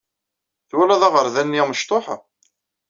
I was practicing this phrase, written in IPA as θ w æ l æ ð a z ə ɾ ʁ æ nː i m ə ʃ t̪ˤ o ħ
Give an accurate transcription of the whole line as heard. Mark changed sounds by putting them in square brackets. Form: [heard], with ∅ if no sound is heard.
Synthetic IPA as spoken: θ w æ l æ ð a [ʁ] ə ɾ [ð] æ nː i m ə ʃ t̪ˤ o ħ